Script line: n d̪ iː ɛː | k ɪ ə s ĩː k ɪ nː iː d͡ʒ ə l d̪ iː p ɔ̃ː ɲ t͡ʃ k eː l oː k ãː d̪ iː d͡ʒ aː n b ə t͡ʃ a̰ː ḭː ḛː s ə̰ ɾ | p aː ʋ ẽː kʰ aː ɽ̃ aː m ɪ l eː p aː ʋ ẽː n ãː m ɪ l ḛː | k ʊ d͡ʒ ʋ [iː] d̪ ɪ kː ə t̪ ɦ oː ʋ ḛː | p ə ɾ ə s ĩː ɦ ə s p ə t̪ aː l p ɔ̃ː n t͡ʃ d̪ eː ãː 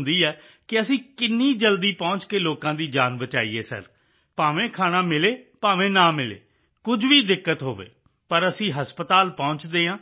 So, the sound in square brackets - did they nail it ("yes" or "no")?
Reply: yes